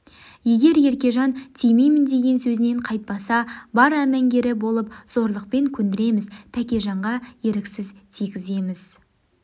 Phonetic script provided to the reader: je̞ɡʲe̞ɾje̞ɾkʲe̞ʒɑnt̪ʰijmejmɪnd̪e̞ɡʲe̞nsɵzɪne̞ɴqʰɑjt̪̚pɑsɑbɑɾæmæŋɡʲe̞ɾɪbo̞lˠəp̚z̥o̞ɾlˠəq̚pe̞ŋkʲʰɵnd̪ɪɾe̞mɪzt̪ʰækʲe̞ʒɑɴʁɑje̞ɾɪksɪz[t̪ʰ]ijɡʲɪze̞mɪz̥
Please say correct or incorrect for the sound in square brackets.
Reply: correct